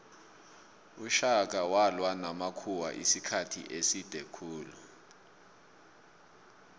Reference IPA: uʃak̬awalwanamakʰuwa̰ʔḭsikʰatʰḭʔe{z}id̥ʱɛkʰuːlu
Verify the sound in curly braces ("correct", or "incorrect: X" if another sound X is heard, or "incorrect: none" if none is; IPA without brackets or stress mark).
incorrect: s